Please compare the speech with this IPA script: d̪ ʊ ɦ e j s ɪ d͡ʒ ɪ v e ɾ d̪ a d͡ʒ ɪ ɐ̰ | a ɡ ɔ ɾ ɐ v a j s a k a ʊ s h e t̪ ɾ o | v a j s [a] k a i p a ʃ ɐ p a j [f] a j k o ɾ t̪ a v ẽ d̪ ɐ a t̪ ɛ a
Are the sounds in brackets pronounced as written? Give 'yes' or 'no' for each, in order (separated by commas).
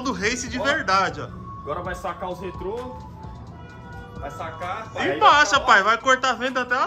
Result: yes, no